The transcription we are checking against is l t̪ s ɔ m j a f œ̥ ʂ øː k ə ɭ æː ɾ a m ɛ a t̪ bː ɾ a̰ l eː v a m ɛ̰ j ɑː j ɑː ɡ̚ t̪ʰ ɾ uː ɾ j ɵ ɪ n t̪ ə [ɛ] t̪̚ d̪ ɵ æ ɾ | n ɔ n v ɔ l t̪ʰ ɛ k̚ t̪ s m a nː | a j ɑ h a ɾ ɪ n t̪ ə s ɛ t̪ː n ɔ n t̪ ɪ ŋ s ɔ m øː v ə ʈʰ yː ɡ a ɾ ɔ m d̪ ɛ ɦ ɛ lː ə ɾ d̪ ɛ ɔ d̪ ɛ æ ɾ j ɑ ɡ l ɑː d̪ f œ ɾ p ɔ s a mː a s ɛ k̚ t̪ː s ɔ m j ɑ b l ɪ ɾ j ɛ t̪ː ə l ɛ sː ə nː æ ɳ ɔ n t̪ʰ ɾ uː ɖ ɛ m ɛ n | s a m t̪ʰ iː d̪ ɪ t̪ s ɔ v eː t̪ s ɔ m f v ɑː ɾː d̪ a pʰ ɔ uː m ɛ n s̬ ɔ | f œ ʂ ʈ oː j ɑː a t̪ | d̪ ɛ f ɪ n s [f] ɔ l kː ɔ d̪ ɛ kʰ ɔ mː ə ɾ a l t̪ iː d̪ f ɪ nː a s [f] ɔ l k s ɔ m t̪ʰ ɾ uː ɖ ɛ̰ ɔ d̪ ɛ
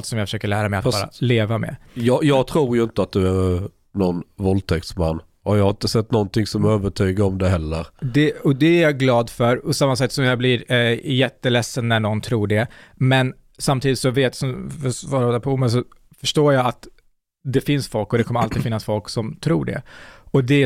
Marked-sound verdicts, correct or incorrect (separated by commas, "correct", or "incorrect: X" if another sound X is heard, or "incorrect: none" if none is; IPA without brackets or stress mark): incorrect: a, correct, correct